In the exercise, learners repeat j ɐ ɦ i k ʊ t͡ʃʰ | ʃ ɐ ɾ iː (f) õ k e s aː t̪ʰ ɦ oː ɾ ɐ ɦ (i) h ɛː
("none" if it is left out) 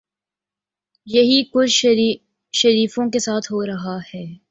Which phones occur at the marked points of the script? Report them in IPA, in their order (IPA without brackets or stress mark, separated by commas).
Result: f, a